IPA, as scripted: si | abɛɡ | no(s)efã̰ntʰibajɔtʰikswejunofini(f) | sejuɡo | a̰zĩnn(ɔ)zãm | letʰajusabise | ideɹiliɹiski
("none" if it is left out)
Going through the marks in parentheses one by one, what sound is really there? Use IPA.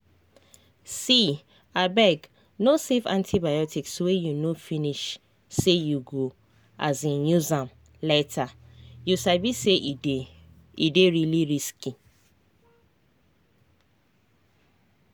s, ʃ, u

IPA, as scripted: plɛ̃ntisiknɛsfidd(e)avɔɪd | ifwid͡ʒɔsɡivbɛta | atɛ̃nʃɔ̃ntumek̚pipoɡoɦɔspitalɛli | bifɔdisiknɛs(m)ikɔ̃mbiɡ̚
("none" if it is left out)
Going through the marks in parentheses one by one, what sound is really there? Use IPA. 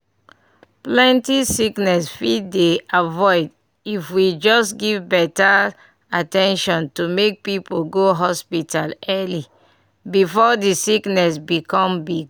e, b

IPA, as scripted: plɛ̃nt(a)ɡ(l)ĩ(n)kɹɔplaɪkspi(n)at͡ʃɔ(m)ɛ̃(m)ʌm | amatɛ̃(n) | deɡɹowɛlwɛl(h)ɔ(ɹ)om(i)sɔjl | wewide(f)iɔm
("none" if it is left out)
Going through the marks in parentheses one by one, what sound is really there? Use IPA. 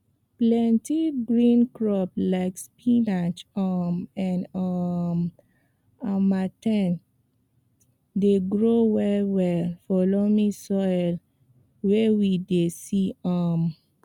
i, ɹ, n, n, m, n, n, f, l, i, s

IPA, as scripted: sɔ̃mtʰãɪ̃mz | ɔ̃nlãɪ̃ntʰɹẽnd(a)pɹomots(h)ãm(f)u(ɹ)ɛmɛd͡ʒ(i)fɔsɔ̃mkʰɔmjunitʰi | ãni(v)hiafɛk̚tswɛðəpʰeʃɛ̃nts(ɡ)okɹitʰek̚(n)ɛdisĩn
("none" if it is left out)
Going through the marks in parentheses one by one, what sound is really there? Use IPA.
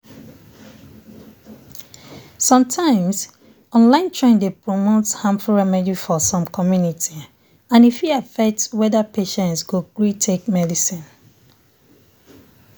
e, h, f, ɹ, i, f, ɡ, m

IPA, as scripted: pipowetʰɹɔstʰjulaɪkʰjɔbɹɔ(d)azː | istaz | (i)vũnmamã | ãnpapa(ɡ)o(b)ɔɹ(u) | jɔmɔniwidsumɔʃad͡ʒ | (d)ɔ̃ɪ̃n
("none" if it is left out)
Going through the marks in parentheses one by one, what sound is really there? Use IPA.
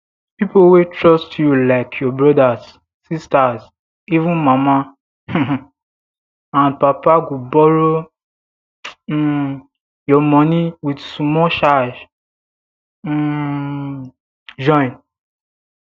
d, i, ɡ, b, o, d͡ʒ

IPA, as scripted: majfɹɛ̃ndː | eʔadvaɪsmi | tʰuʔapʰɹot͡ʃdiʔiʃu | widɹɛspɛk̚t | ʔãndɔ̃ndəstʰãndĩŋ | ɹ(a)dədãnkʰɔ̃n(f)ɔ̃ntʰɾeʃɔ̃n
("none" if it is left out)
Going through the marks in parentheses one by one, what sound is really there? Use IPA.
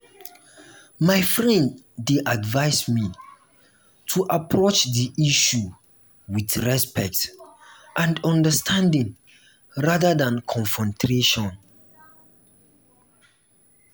a, f

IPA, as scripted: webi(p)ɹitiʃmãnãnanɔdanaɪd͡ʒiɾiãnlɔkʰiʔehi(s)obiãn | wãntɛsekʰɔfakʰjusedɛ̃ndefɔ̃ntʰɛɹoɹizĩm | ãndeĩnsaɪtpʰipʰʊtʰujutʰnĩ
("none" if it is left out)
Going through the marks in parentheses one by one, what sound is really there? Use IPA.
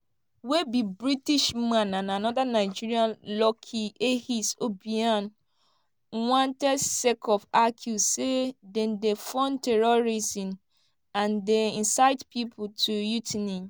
b, s

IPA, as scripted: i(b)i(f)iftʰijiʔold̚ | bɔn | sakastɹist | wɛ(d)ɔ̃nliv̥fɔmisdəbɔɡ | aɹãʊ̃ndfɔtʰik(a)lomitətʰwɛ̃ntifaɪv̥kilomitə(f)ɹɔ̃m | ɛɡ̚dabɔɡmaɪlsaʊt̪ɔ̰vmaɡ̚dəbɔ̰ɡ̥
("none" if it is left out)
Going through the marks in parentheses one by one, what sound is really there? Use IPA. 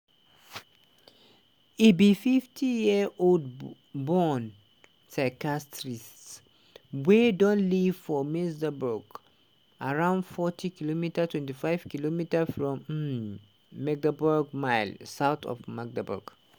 b, f, d, i, f

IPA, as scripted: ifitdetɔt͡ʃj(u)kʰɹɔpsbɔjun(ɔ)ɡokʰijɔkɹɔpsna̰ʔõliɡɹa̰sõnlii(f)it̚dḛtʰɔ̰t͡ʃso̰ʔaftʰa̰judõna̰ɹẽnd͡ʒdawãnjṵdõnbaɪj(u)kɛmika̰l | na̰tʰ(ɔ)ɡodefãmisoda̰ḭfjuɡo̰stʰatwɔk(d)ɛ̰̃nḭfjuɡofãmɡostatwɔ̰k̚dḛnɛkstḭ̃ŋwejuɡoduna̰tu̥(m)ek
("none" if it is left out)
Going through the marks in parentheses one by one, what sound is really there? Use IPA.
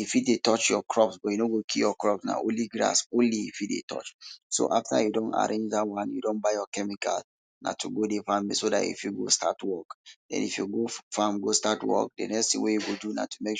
ɔ, o, f, ɔ, u, d, m

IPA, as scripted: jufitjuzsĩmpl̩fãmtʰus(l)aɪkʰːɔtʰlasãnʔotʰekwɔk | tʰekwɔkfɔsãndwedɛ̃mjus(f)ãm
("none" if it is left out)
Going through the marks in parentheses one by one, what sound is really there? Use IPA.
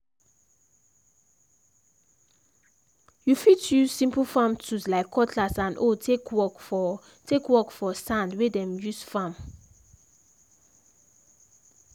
l, f

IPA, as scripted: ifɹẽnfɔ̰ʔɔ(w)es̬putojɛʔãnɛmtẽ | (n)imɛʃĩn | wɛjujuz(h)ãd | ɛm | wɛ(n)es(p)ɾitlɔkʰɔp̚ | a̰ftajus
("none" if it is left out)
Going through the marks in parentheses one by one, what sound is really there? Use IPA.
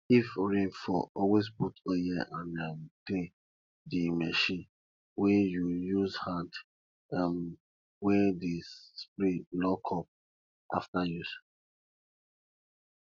w, d, h, d, p

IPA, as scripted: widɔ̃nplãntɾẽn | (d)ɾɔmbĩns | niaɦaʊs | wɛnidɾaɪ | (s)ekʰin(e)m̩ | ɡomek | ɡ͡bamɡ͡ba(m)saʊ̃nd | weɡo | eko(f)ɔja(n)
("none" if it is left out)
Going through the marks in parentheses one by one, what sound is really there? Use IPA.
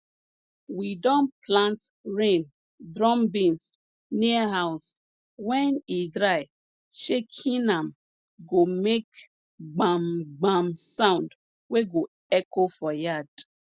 d, ʃ, a, m, f, d

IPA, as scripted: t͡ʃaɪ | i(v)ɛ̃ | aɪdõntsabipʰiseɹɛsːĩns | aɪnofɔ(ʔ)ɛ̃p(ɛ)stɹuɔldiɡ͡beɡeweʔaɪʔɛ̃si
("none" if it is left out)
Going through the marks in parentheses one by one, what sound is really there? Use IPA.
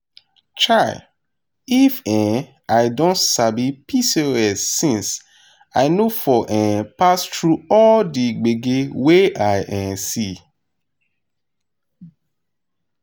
f, ʔ, a

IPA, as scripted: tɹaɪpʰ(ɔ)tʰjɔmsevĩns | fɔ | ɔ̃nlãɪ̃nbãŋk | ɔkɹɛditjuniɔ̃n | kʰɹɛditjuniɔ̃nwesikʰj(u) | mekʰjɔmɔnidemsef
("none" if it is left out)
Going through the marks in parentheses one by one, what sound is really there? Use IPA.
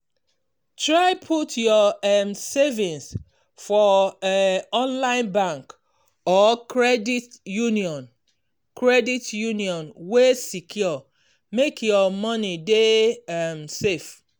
u, ɔ

